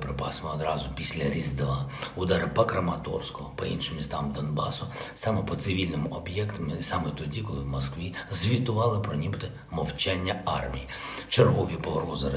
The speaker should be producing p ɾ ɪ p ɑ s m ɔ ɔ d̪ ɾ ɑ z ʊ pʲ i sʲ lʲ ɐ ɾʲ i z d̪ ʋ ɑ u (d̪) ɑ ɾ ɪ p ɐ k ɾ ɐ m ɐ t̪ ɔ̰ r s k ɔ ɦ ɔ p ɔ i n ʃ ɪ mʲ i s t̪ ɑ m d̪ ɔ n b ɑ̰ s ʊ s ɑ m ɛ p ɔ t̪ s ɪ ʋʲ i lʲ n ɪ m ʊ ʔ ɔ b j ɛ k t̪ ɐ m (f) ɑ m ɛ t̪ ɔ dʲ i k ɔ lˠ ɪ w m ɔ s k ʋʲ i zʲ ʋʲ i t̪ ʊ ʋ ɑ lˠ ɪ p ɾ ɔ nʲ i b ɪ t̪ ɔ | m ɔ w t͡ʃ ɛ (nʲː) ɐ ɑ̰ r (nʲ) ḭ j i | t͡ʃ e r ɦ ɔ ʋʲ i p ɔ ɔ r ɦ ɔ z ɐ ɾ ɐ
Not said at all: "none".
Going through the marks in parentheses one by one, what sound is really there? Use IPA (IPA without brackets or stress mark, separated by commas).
d̪, s, nʲː, mʲ